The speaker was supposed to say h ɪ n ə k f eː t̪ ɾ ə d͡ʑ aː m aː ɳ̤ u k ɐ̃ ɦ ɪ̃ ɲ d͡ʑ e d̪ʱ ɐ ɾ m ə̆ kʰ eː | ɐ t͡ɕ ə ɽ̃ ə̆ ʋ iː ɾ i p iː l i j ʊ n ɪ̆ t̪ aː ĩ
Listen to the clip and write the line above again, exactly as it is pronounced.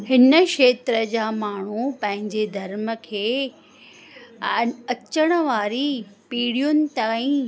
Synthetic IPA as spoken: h ɪ n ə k ʃ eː t̪ ɾ ə d͡ʑ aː m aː ɳ̤ u p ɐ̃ ɦ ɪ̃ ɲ d͡ʑ e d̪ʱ ɐ ɾ m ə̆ kʰ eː | ɐ t͡ɕ ə ɽ̃ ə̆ ʋ aː ɾ i p iː ɽ i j ʊ n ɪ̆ t̪ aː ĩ